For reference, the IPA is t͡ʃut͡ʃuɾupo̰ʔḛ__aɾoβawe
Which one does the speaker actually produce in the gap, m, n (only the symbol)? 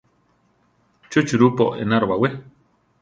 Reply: n